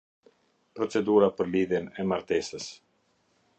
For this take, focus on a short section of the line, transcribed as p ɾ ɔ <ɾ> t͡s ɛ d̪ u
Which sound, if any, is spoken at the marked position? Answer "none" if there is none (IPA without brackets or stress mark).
none